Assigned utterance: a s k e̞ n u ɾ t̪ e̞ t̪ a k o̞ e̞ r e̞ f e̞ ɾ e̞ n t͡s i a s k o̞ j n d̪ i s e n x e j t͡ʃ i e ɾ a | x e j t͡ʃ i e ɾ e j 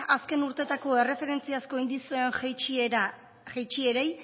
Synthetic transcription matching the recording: a s k e̞ n u ɾ t̪ e̞ t̪ a k o̞ e̞ r e̞ f e̞ ɾ e̞ n t͡s i a s k o̞ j n d̪ i s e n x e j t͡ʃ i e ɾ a | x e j t͡ʃ i e ɾ e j